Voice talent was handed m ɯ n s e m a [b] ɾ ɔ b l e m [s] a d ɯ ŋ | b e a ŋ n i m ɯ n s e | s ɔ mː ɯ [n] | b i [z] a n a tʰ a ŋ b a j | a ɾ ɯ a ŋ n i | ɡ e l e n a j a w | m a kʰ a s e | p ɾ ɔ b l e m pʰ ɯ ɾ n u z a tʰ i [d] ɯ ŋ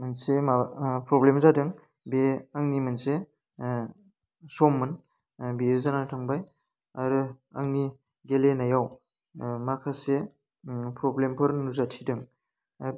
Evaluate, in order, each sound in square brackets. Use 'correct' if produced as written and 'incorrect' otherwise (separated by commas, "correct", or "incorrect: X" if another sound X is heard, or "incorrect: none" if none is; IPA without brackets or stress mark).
incorrect: p, incorrect: z, correct, correct, correct